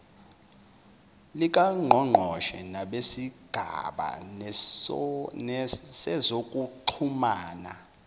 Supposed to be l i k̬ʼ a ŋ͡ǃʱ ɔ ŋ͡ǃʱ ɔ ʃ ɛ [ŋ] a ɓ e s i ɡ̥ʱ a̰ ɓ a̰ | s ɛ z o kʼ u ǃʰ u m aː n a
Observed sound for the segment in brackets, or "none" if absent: n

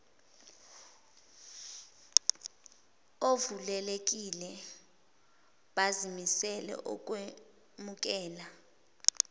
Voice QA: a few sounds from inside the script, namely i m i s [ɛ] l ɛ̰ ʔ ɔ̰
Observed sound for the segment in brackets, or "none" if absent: ɛ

